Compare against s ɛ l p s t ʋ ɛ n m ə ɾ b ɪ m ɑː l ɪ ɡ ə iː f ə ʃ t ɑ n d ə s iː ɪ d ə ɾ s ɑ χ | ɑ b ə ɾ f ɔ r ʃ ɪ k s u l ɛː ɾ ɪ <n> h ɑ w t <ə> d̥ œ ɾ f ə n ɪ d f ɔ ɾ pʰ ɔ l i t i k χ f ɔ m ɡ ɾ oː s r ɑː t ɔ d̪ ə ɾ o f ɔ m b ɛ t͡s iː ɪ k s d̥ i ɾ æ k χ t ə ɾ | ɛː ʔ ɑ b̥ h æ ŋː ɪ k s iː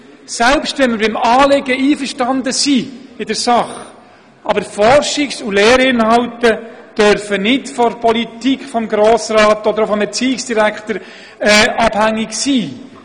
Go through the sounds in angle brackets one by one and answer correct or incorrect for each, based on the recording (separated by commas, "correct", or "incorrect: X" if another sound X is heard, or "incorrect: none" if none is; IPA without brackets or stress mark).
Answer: correct, correct